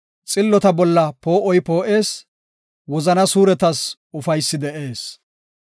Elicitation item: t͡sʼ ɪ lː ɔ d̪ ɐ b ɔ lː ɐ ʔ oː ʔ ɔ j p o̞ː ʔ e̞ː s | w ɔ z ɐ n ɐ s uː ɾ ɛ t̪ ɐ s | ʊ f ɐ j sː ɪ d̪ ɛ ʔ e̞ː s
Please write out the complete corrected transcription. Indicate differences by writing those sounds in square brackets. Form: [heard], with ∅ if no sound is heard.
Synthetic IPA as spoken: t͡sʼ ɪ lː ɔ [t̪] ɐ b ɔ lː ɐ [p] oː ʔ ɔ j p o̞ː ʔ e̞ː s | w ɔ z ɐ n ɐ s uː ɾ ɛ t̪ ɐ s | ʊ f ɐ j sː ɪ d̪ ɛ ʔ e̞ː s